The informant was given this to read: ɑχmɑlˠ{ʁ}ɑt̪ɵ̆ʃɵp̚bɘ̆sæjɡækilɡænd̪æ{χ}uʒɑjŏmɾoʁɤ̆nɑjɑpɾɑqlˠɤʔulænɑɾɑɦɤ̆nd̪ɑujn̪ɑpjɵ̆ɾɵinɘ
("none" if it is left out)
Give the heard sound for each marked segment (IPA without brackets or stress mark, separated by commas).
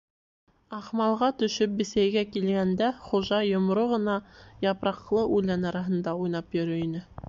ʁ, χ